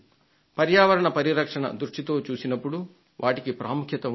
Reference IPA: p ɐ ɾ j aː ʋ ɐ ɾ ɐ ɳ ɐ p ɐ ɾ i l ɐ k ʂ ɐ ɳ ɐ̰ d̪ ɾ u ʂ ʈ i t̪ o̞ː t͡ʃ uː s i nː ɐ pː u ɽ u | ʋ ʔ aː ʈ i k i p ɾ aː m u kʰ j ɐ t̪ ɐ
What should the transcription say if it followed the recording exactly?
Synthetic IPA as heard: p ɐ ɾ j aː ʋ ɐ ɾ ɐ ɳ ɐ p ɐ ɾ i ɾ ɐ k ʂ ɐ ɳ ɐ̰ d̪ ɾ u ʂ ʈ i t̪ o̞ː t͡ʃ uː s i n ɐ pː u ɽ u | ʋ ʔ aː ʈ i k i p ɾ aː m u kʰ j ɐ t̪ ɐ